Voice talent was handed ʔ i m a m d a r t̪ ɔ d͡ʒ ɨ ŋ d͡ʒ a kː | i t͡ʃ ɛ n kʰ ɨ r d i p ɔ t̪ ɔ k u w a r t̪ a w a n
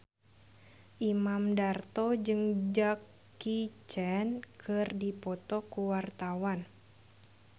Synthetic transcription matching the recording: ʔ i m a m d a r t̪ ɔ d͡ʒ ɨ ŋ d͡ʒ a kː | i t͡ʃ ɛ n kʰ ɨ r d i p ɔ t̪ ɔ k u w a r t̪ a w a n